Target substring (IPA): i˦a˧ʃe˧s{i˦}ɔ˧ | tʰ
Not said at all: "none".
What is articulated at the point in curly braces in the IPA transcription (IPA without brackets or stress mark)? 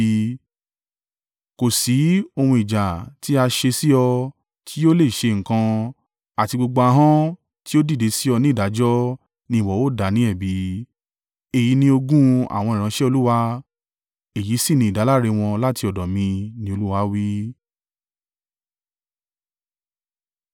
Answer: i˦